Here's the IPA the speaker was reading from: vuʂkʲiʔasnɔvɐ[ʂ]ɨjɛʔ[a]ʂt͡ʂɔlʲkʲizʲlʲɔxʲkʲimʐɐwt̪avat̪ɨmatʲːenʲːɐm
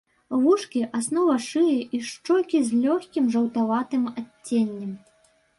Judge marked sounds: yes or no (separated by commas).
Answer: yes, no